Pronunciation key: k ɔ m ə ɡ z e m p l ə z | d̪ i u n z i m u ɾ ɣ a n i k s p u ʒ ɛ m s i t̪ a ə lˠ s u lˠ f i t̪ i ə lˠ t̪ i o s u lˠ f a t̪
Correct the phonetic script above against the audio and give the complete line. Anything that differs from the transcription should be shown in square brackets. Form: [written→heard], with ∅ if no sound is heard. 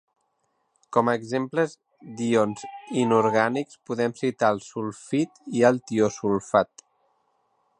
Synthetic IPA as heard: k ɔ m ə ɡ z e m p l ə z | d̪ i [u→o] n z i [m→n] u ɾ ɣ a n i k s p u [ʒ→ð] ɛ m s i t̪ a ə lˠ s u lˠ f i t̪ i ə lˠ t̪ i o s u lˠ f a t̪